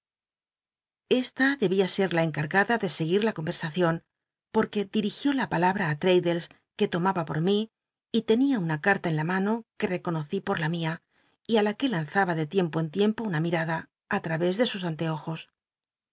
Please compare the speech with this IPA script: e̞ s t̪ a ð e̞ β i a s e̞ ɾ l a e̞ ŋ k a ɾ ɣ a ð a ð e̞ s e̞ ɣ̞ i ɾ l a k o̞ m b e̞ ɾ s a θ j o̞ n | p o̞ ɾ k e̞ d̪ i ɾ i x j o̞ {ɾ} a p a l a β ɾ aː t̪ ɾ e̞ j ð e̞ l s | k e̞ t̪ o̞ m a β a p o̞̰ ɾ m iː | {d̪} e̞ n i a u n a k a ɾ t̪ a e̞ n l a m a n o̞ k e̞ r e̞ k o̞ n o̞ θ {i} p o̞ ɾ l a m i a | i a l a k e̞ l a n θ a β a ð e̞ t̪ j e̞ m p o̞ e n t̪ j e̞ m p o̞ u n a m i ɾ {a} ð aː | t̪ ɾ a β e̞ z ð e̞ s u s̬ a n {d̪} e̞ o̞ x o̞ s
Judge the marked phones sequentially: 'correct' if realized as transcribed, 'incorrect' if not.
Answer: incorrect, incorrect, correct, correct, incorrect

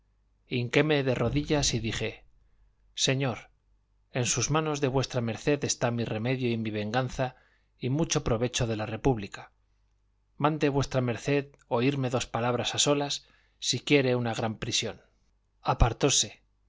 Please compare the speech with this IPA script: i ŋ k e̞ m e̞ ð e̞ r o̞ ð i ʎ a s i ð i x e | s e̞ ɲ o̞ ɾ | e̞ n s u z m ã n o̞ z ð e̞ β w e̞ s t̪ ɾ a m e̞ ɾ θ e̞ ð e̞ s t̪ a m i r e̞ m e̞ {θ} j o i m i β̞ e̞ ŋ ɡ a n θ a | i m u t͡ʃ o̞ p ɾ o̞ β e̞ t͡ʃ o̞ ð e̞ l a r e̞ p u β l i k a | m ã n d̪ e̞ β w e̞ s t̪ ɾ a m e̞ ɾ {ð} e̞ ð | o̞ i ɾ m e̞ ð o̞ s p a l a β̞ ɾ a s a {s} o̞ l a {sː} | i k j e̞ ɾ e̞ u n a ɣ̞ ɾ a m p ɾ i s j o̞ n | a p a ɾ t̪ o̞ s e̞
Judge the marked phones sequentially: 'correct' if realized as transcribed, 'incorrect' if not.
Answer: incorrect, incorrect, correct, correct

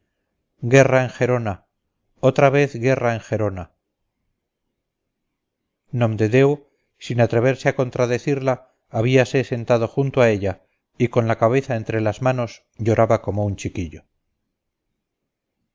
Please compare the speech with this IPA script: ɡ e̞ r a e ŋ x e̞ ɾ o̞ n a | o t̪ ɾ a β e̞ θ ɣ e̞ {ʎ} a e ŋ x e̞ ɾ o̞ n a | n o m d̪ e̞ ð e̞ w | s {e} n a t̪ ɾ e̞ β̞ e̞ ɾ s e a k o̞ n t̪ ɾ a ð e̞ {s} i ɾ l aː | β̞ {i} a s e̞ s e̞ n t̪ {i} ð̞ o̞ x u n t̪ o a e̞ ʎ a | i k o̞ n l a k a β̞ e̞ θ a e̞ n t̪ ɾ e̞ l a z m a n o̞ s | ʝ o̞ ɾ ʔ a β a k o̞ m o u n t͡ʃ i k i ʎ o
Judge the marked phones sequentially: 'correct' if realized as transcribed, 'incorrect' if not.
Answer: incorrect, incorrect, incorrect, correct, incorrect

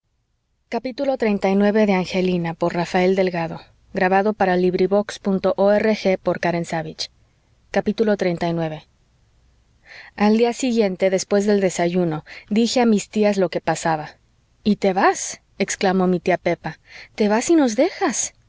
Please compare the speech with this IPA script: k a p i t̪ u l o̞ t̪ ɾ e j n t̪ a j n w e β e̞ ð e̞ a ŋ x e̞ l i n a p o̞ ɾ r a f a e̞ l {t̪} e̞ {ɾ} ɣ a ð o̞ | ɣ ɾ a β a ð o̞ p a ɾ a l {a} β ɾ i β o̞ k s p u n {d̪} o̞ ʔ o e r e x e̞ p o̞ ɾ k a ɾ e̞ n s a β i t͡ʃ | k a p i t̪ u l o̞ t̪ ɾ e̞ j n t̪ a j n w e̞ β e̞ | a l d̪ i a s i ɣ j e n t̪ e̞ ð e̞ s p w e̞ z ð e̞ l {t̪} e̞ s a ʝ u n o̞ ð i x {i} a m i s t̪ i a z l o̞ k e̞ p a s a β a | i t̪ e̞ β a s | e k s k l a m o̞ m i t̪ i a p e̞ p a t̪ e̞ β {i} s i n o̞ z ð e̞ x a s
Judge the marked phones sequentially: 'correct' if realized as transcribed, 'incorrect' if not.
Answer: incorrect, incorrect, incorrect, incorrect, incorrect, incorrect, incorrect

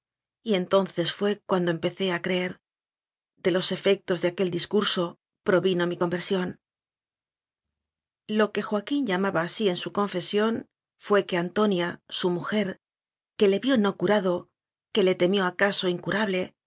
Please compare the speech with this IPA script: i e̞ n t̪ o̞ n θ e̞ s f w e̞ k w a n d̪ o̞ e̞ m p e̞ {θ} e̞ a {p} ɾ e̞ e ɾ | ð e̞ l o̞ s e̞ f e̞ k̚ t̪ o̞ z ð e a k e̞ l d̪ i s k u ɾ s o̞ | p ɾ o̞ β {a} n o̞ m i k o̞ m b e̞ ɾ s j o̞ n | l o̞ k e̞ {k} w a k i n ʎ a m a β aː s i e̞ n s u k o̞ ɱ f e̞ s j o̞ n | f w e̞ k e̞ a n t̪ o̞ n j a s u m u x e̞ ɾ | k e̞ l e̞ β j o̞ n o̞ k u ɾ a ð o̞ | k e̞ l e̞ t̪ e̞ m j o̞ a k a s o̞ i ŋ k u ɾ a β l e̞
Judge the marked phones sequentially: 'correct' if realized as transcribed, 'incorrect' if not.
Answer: correct, incorrect, incorrect, incorrect

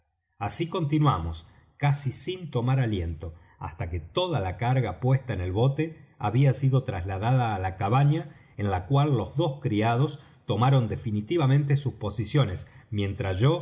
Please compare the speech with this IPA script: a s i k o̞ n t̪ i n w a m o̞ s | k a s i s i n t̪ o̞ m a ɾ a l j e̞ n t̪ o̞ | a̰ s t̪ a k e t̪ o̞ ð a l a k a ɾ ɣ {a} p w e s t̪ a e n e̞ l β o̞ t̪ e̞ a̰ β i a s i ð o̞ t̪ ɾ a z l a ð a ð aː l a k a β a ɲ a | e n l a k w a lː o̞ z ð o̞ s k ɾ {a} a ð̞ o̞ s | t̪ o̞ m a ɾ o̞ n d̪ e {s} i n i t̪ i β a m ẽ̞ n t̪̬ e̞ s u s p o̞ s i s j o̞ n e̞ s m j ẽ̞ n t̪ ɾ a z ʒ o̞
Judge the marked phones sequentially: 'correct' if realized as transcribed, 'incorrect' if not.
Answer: correct, incorrect, incorrect

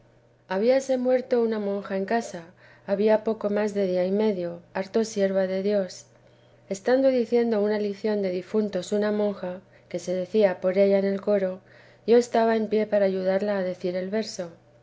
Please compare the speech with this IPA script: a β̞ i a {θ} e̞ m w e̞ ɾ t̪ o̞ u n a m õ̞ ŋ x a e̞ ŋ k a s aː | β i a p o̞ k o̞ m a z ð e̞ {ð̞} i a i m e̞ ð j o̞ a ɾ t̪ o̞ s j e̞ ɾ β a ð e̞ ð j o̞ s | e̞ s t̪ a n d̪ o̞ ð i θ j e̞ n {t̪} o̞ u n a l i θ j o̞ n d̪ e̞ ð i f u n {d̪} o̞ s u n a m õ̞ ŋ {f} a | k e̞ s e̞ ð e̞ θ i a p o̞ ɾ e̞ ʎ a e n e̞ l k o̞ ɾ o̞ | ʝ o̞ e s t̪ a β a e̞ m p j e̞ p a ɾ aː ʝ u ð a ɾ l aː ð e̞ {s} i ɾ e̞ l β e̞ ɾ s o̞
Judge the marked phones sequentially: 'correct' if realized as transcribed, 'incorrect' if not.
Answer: incorrect, correct, incorrect, incorrect, incorrect, incorrect

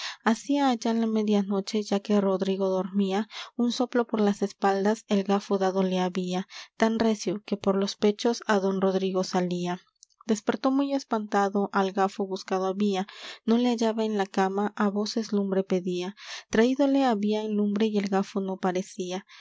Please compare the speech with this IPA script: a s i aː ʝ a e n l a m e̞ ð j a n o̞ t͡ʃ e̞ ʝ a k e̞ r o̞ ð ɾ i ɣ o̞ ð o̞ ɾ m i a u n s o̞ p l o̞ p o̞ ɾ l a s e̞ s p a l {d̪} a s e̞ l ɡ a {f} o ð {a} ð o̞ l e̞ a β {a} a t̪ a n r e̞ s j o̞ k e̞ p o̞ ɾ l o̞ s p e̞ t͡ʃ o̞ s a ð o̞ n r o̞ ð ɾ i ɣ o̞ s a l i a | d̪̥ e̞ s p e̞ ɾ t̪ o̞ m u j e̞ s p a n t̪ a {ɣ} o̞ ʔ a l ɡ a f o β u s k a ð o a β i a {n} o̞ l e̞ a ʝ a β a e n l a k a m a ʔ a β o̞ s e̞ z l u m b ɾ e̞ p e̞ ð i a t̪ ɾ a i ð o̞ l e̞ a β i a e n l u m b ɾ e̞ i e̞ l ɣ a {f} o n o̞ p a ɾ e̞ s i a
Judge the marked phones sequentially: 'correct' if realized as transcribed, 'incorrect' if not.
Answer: correct, correct, correct, incorrect, incorrect, correct, correct

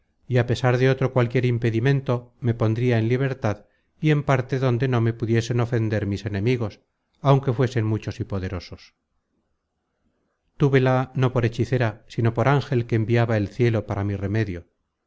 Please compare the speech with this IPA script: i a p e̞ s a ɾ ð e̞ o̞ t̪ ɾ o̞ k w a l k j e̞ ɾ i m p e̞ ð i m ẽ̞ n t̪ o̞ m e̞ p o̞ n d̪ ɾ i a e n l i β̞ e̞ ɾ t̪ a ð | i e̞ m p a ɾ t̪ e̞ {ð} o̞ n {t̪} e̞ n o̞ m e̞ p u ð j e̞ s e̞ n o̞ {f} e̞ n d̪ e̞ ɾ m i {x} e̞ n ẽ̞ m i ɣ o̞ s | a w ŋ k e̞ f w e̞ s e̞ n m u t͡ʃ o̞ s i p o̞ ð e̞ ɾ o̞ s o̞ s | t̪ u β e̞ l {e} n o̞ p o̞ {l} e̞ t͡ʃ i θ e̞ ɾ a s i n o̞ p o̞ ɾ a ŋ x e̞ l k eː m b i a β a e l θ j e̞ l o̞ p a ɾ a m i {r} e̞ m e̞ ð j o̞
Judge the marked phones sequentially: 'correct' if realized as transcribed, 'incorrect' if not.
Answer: correct, incorrect, correct, incorrect, incorrect, incorrect, correct

